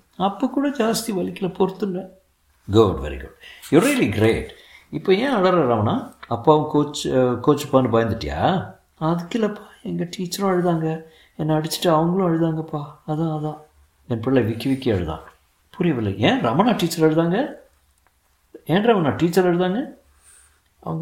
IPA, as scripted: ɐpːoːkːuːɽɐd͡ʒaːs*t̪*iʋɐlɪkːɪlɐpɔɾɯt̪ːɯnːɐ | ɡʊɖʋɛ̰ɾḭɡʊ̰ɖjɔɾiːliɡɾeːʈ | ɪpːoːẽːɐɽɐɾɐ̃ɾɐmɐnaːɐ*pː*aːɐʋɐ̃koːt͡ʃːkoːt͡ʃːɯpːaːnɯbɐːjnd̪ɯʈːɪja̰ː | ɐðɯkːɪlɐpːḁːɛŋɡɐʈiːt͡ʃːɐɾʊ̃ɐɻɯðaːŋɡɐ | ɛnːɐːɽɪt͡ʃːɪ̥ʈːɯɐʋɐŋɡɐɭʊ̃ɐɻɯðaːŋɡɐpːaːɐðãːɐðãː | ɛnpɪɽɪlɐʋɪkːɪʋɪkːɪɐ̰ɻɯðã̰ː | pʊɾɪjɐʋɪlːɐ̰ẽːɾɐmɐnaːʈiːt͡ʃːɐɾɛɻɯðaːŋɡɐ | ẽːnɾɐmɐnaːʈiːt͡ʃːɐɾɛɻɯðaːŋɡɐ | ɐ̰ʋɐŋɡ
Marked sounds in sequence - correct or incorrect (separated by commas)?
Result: correct, correct